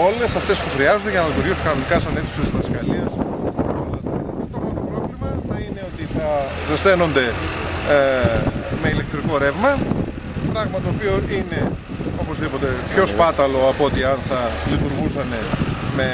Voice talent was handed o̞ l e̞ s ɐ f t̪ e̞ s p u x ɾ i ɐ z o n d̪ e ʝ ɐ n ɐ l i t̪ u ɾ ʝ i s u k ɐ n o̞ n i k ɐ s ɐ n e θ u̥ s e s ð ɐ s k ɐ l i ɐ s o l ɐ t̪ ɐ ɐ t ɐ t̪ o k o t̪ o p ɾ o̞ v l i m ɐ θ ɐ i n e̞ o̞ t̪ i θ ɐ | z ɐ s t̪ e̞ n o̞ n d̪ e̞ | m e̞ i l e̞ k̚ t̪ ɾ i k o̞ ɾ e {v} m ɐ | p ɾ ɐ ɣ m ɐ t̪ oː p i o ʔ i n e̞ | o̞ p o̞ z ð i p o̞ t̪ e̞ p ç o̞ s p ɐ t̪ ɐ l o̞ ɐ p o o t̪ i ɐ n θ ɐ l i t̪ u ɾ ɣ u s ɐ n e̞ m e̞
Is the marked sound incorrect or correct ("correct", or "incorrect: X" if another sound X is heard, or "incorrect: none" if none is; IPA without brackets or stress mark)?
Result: correct